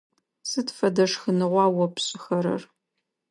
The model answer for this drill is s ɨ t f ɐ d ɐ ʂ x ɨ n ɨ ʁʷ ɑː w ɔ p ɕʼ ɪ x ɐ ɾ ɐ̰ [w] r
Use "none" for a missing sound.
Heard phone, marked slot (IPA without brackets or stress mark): none